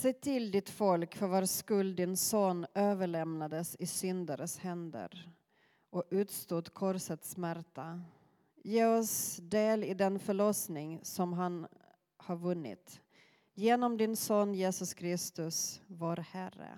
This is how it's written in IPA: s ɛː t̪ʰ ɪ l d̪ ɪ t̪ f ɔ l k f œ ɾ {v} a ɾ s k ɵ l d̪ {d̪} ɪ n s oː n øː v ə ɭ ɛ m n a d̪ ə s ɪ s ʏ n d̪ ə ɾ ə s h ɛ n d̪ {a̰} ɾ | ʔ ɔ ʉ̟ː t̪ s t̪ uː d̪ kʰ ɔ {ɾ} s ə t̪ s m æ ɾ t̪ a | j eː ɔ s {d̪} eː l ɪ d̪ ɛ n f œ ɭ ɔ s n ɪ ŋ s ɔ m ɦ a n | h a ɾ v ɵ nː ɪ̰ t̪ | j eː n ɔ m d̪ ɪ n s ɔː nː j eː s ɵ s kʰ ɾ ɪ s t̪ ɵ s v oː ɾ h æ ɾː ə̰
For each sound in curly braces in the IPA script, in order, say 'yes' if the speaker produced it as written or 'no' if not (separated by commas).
yes, yes, no, yes, yes